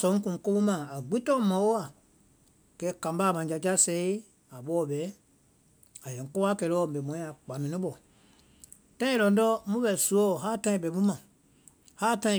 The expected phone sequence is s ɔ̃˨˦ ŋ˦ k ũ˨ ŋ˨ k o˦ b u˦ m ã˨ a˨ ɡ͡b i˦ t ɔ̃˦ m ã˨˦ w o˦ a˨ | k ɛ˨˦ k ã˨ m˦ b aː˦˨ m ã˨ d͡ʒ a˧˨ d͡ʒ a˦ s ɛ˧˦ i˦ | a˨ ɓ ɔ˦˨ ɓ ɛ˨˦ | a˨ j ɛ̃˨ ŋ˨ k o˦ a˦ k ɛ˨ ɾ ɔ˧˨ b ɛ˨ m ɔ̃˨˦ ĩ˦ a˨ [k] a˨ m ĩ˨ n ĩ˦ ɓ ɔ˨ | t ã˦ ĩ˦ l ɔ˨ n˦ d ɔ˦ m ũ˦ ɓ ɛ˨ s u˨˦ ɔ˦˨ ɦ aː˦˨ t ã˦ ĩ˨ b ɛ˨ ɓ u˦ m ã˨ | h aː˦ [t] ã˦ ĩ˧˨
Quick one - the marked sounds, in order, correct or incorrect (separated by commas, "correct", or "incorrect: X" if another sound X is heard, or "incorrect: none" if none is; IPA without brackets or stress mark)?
incorrect: k͡p, correct